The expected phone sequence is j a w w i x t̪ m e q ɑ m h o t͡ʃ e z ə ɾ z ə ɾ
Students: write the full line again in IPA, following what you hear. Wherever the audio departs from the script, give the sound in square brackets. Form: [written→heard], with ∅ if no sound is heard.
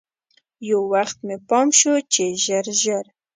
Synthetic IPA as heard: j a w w [i→a] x t̪ m e [q→p] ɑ m [h→ʃ] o t͡ʃ e [z→ʒ] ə ɾ [z→ʒ] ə ɾ